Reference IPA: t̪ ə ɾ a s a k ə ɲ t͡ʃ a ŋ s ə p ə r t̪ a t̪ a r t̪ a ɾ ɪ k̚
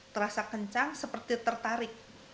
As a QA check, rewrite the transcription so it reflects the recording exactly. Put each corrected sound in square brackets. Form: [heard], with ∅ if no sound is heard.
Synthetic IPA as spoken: t̪ ə ɾ a s a k ə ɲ t͡ʃ a ŋ s ə p ə r t̪ [i] t̪ [ə] r t̪ a ɾ ɪ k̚